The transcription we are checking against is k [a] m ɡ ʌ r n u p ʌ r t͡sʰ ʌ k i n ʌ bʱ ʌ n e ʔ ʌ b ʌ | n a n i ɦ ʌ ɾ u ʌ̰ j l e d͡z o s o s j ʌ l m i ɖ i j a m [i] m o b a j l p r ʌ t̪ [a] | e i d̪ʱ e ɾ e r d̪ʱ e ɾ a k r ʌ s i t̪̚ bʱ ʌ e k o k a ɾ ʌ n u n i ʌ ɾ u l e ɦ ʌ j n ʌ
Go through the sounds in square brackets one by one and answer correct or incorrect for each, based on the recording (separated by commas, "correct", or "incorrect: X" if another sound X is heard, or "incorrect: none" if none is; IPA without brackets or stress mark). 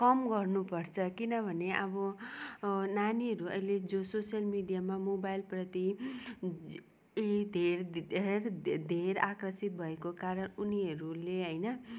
incorrect: ʌ, incorrect: a, incorrect: i